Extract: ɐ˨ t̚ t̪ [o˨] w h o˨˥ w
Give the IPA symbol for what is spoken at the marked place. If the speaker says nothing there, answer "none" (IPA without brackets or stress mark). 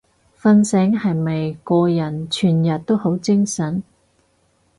o˥